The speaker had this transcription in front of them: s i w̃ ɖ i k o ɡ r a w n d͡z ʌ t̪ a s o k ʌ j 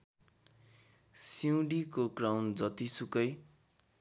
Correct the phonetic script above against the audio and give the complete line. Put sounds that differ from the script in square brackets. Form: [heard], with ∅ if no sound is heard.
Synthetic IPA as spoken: s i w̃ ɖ i k o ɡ r a w n d͡z ʌ t̪ [i] s [u] k ʌ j